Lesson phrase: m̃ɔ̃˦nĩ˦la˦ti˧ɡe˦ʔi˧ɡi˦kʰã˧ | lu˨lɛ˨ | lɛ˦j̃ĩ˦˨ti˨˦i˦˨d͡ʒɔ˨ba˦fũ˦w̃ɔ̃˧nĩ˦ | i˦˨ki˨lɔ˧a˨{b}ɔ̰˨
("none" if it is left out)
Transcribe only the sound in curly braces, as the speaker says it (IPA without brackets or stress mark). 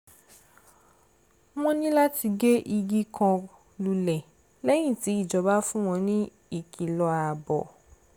b